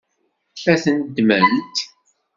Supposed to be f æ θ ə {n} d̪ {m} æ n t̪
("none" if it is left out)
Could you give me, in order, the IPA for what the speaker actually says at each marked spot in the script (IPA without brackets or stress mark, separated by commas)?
n, m